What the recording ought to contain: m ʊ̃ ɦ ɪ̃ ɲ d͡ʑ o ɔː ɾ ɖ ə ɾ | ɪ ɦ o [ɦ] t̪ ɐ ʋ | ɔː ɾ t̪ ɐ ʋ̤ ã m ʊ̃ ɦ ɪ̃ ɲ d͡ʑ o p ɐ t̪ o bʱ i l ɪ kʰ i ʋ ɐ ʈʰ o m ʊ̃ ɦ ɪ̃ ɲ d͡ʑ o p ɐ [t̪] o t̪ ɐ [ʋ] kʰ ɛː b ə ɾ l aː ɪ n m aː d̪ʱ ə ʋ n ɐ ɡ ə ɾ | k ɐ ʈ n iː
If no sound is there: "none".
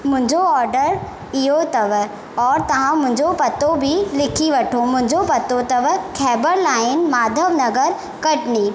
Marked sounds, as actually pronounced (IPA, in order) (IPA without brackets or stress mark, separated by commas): none, t̪, ʋ